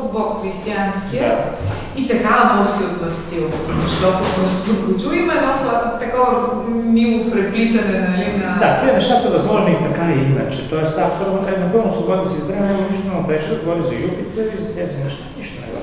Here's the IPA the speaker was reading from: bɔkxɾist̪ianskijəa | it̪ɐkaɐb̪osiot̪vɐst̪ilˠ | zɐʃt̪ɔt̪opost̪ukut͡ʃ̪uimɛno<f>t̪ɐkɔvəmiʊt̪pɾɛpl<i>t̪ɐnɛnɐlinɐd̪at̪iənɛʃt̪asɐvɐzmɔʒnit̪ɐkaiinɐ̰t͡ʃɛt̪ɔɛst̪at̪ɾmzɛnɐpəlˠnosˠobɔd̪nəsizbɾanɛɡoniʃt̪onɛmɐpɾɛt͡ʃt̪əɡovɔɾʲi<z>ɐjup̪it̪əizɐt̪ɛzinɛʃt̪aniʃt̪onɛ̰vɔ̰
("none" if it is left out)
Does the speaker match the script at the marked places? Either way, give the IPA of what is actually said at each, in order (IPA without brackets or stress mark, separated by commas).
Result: s, i, z